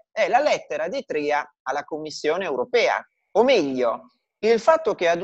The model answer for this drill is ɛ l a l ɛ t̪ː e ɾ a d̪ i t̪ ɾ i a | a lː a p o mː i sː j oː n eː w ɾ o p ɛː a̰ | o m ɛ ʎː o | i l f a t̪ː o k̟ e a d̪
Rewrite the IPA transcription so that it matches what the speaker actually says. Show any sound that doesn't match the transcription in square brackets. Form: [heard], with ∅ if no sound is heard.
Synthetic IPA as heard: ɛ l a l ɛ t̪ː e ɾ a d̪ i t̪ ɾ i a | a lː a [k] o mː i sː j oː n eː w ɾ o p ɛː a̰ | o m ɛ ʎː o | i l f a t̪ː o k̟ e a d̪